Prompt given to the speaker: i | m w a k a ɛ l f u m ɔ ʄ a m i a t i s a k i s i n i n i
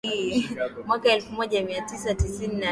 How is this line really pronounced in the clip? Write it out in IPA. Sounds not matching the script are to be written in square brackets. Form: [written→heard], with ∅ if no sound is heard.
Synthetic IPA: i | m w a k a ɛ l f u m ɔ ʄ a m i a t i s a [k→t] i s i n i n [i→a]